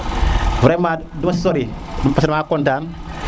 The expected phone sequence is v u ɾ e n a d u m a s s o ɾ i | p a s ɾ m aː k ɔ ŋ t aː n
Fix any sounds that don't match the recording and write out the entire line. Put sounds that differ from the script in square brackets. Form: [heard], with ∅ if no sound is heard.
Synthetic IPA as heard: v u ɾ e [m] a d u m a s s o ɾ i | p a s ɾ m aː k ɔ [n] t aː n